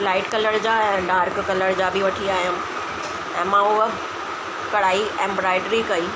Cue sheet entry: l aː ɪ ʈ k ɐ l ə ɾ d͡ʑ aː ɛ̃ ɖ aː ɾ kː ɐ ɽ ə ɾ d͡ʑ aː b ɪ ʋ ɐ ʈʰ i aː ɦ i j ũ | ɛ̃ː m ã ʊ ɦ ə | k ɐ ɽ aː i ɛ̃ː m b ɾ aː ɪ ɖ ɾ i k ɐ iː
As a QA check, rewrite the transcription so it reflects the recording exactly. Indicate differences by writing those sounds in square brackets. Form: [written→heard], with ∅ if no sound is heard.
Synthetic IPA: l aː ɪ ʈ k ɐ l ə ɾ d͡ʑ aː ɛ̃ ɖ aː ɾ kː ɐ [ɽ→l] ə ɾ d͡ʑ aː b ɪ ʋ ɐ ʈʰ i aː ɦ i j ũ | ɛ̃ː m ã ʊ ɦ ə | k ɐ ɽ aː i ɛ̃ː m b ɾ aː ɪ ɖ ɾ i k ɐ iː